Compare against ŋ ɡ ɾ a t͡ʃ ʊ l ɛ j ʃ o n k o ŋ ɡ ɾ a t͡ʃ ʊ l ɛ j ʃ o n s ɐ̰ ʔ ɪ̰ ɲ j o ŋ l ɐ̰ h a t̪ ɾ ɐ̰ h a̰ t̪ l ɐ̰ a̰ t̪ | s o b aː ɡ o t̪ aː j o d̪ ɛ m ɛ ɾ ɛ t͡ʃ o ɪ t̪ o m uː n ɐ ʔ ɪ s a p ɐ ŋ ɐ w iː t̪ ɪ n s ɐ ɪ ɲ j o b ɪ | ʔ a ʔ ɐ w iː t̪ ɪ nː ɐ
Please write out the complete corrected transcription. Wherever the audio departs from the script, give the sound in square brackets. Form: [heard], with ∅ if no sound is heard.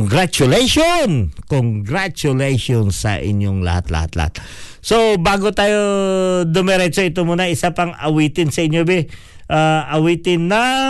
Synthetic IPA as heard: ŋ ɡ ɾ a t͡ʃ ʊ l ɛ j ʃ o n k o ŋ ɡ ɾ a t͡ʃ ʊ l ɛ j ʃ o n s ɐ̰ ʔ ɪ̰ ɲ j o ŋ l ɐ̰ h a t̪ [l] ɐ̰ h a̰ t̪ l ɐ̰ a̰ t̪ | s o b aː ɡ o t̪ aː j o d̪ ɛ m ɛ ɾ ɛ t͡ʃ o ɪ t̪ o m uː n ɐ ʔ ɪ s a p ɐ ŋ ɐ w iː t̪ ɪ n s ɐ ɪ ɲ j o b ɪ | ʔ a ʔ ɐ w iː t̪ ɪ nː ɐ